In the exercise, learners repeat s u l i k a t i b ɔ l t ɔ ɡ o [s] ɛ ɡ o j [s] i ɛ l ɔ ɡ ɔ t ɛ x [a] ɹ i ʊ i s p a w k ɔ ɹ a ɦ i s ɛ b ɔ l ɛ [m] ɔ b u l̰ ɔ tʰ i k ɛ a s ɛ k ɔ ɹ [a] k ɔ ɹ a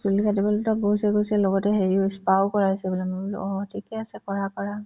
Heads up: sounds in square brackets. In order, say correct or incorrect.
correct, correct, incorrect: e, correct, correct

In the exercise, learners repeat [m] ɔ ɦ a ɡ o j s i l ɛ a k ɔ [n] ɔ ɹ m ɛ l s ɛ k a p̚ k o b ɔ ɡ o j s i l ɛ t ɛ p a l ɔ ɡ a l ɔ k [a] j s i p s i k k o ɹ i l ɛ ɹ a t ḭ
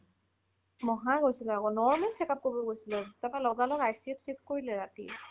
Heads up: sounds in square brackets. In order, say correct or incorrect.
correct, correct, correct

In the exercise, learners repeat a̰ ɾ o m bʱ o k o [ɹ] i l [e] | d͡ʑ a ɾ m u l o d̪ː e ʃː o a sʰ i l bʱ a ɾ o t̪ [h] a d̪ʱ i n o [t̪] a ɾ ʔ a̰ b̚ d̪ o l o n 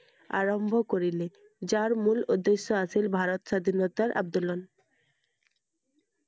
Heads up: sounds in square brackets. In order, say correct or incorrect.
incorrect: ɾ, correct, incorrect: ʃ, correct

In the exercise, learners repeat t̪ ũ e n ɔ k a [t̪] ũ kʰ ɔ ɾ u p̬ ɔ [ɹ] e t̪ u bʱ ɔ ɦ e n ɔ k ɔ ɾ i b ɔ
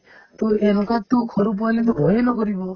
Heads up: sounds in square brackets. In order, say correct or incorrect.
correct, incorrect: l

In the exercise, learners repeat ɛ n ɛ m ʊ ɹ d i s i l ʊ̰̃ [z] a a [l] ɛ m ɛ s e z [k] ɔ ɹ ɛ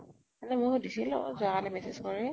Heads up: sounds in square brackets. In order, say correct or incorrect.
correct, correct, correct

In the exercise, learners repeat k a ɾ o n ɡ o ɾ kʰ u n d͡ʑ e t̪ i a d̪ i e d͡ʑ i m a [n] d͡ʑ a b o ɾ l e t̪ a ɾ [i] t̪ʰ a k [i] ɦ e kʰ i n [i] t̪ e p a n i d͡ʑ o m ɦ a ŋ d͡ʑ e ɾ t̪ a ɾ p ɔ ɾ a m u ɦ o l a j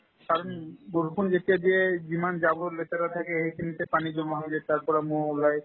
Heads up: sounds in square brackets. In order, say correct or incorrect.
correct, incorrect: a, incorrect: e, correct

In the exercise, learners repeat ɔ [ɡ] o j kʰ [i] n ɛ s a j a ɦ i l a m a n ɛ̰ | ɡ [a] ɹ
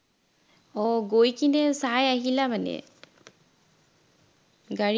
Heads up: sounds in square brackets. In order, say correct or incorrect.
correct, correct, correct

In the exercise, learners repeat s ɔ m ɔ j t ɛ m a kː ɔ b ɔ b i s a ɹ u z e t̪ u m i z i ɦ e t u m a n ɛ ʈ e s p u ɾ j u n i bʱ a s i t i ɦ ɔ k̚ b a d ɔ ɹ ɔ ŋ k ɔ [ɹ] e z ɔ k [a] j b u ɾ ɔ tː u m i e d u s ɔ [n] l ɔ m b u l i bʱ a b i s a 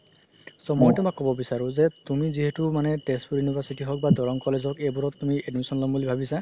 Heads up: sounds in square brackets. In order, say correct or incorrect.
incorrect: l, incorrect: e, correct

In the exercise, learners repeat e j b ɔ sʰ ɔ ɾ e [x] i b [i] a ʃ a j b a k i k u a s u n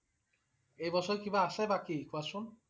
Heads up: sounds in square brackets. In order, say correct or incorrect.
incorrect: k, incorrect: a

